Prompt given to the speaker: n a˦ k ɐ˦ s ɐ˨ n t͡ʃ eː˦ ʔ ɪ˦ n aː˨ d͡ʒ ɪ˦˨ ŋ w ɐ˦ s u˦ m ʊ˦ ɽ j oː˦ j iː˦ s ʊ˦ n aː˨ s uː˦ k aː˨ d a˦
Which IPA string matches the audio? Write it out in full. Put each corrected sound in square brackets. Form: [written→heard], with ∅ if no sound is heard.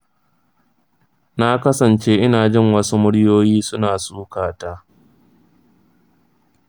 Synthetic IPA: n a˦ k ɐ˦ s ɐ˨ n t͡ʃ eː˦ ʔ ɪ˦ n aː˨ d͡ʒ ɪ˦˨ ŋ w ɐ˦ s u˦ m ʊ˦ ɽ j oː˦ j iː˦ s ʊ˦ n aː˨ s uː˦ k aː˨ [d→t] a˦